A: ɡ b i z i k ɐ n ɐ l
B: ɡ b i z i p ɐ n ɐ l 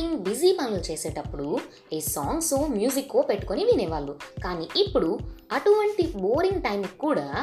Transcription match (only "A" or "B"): B